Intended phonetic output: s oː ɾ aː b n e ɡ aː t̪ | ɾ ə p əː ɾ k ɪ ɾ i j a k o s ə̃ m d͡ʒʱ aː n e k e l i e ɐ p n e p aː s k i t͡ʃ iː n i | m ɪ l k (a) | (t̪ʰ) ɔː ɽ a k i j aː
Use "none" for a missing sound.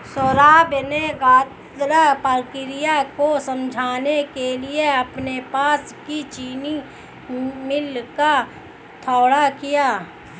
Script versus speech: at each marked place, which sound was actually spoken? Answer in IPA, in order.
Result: a, t̪ʰ

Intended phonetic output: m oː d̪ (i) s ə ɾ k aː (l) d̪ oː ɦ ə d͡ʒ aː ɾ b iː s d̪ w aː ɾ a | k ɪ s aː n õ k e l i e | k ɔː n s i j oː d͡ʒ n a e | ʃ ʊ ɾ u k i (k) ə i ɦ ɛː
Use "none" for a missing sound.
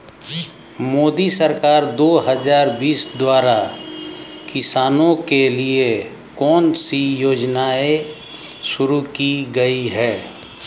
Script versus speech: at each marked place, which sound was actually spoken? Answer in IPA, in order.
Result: i, ɾ, ɡ

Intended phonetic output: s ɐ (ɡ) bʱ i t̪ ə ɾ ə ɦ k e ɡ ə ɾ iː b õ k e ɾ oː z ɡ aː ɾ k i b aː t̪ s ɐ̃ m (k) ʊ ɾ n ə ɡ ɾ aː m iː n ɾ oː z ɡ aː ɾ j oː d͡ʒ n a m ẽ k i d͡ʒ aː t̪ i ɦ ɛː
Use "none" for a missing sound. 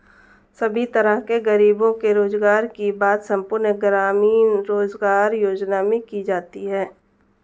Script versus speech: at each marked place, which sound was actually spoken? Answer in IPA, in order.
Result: none, p

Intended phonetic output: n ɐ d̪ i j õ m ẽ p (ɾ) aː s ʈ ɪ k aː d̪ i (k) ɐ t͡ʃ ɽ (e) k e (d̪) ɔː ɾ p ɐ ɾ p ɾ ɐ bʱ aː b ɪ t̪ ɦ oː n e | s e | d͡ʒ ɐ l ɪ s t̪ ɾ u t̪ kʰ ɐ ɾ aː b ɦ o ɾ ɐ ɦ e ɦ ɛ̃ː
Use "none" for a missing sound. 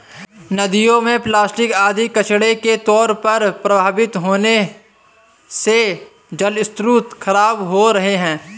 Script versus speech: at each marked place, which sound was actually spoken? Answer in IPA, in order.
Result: l, k, e, t̪

